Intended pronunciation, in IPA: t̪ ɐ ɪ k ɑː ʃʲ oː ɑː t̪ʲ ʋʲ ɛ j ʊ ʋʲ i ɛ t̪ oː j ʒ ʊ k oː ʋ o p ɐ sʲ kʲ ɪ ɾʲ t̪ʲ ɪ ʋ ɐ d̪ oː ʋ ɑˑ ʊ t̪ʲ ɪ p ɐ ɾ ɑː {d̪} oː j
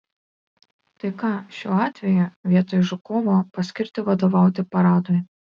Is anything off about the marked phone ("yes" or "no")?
no